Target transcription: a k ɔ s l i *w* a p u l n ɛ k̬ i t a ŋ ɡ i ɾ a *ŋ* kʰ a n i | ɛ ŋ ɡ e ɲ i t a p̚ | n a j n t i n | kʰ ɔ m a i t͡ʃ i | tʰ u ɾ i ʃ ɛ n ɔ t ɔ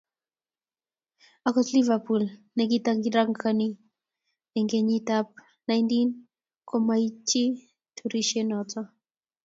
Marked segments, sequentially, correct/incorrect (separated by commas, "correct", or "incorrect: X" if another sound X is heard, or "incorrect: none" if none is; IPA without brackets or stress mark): incorrect: v, correct